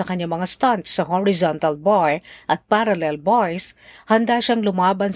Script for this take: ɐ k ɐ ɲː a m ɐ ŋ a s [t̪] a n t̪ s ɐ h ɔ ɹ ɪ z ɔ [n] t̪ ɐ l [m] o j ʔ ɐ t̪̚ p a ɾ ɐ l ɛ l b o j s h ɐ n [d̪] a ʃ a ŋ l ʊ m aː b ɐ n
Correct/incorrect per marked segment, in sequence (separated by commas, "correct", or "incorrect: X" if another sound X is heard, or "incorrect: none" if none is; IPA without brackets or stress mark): correct, correct, incorrect: b, correct